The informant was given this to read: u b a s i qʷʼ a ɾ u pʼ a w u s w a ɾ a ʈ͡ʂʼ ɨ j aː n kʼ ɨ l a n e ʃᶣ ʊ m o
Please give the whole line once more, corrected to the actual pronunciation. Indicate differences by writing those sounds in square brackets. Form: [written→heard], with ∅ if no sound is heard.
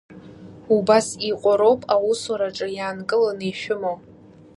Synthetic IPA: u b a s i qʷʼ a ɾ [u→o] pʼ a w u s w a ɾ a ʈ͡ʂʼ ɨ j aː n kʼ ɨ l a n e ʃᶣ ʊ m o